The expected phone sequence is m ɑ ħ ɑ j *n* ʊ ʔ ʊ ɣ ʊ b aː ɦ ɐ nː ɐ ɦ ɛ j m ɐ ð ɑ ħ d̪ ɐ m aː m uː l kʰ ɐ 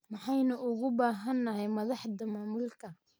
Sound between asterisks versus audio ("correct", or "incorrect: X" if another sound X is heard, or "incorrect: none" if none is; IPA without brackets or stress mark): correct